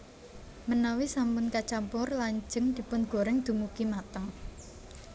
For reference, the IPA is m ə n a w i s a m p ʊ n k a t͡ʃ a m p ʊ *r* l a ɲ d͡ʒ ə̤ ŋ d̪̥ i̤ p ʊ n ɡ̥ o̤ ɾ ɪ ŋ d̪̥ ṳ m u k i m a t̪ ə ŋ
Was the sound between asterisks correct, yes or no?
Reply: yes